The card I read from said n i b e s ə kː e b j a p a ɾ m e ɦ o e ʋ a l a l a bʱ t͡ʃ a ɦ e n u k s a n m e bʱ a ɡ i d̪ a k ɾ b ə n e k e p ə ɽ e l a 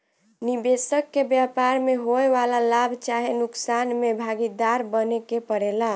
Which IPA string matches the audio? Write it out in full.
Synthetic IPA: n i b e s ə kː e b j a p a ɾ m e ɦ o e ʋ a l a l a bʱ t͡ʃ a ɦ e n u k s a n m e bʱ a ɡ i d̪ a ɾ b ə n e k e p ə ɽ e l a